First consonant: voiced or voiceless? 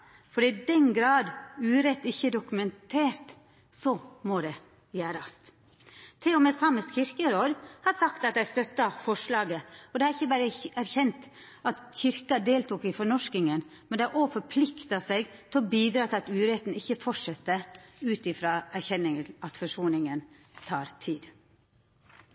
voiceless